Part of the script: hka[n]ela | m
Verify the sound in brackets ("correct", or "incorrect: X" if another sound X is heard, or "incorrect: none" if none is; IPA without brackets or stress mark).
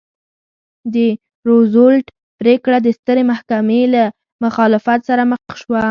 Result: incorrect: m